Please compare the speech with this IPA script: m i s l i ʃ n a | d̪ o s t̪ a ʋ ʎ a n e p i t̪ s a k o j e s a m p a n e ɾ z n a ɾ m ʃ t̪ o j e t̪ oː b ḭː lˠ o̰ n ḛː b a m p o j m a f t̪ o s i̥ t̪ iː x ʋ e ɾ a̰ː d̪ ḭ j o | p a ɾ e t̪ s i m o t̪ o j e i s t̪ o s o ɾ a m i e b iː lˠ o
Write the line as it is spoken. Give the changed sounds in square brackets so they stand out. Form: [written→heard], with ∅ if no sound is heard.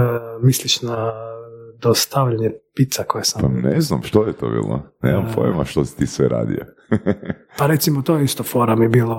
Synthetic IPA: m i s l i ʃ n a | d̪ o s t̪ a ʋ ʎ a [n→ɲ] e p i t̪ s a k o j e s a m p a n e [ɾ→∅] z n a [ɾ→∅] m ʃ t̪ o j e t̪ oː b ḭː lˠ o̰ n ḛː [b→m] a m p o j m a [f→ʃ] t̪ o s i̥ t̪ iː [x→s] ʋ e ɾ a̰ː d̪ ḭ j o | p a ɾ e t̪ s i m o t̪ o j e i s t̪ o [s→f] o ɾ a m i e b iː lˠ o